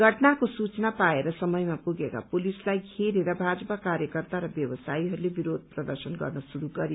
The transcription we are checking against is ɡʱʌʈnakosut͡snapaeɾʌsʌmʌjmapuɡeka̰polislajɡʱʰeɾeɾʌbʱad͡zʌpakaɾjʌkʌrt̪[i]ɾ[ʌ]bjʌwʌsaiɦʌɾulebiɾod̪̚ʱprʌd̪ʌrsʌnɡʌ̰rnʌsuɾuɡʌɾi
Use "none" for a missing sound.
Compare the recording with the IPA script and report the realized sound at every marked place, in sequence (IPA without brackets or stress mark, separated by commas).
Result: a, ʌ